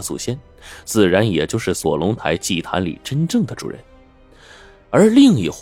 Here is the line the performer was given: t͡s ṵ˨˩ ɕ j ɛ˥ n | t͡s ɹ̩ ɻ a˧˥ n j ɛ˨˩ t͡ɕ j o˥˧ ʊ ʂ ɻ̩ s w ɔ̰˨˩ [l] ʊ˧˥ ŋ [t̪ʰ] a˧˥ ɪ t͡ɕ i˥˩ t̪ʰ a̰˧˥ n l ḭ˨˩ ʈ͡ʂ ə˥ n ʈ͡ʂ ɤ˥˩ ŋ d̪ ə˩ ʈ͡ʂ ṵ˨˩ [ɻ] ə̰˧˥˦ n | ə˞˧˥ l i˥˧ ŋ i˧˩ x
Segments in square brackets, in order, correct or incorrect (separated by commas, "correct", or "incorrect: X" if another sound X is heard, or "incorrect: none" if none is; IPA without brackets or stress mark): correct, correct, correct